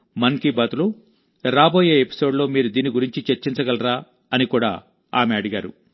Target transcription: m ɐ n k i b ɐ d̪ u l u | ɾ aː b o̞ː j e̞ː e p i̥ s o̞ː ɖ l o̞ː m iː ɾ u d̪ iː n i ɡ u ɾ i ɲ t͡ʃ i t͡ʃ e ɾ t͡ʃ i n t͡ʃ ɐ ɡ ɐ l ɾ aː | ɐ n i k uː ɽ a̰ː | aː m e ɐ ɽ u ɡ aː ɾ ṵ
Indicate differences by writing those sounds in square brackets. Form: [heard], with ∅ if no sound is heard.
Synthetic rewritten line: m ɐ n k i b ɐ [t̪] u l u | ɾ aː b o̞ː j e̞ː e p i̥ s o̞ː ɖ l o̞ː m iː ɾ u d̪ iː n i ɡ u ɾ i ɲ t͡ʃ i t͡ʃ e ɾ t͡ʃ i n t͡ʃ ɐ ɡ ɐ l ɾ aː | ɐ n i k uː ɽ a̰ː | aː m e ɐ ɽ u ɡ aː ɾ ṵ